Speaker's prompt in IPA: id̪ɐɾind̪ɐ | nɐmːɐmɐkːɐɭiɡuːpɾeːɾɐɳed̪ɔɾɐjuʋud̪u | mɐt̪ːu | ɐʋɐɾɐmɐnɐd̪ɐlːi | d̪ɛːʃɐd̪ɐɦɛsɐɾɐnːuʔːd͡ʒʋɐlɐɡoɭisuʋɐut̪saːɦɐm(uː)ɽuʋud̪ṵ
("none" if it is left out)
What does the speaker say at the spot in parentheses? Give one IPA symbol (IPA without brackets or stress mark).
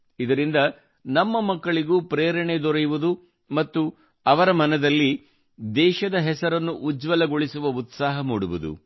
uː